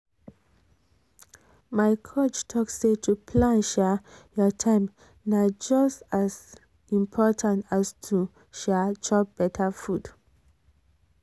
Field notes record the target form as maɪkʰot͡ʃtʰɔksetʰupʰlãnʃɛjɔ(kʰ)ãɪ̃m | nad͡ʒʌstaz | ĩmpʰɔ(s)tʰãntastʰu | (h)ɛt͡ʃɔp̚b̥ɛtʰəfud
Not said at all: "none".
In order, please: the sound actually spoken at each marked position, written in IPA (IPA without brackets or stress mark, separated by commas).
tʰ, none, ʃ